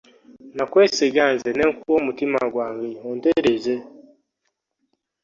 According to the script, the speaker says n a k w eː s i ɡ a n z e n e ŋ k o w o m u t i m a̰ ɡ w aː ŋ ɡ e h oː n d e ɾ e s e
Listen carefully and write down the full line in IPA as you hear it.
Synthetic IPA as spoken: n a k w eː s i ɡ a n z e n e ŋ k u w o m u t i m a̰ ɡ w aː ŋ ɡ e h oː n d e ɾ e z e